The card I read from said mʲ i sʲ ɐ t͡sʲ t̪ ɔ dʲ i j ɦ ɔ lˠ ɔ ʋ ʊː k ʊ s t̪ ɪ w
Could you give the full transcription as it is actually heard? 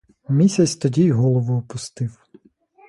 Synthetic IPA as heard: mʲ i sʲ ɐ t͡sʲ t̪ ɔ dʲ i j ɦ ɔ lˠ ɔ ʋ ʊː p ʊ s t̪ ɪ w